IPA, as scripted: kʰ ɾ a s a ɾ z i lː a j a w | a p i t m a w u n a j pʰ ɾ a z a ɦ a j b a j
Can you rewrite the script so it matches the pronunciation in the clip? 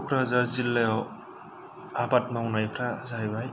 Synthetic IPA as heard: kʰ ɾ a z a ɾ z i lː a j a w | a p a t m a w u n a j pʰ ɾ a z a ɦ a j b a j